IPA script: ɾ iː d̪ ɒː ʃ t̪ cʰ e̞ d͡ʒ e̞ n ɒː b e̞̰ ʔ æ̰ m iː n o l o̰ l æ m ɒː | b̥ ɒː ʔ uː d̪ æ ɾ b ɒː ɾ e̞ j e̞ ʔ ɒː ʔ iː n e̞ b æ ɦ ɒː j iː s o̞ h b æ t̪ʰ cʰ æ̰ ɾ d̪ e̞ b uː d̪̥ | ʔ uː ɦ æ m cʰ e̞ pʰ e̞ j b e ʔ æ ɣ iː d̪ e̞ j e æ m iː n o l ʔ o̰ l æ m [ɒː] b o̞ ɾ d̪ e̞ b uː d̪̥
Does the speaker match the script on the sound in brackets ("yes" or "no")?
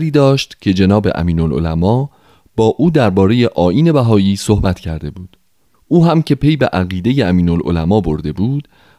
yes